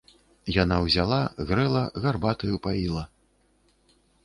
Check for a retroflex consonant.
absent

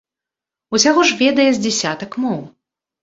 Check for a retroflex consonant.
present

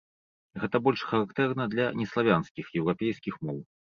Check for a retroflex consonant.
present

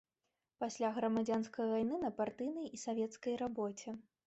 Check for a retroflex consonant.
absent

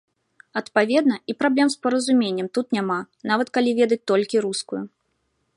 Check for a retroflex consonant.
absent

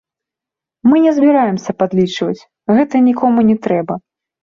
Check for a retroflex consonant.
present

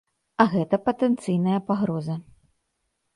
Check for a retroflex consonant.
absent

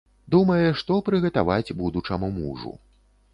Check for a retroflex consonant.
present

